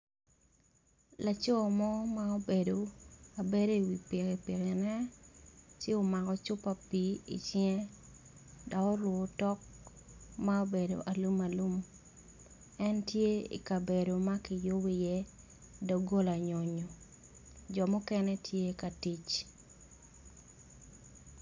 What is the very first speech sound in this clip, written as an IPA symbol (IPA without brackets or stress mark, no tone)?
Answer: l